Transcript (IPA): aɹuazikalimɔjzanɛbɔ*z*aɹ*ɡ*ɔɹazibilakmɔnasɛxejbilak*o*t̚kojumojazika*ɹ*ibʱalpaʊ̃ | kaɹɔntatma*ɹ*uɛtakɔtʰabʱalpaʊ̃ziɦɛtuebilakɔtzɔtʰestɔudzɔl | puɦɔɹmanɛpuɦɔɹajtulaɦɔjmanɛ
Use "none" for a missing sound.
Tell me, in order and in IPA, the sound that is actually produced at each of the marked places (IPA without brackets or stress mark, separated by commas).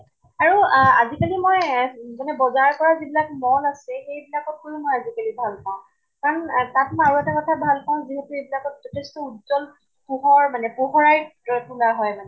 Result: z, k, ɔ, l, ɹ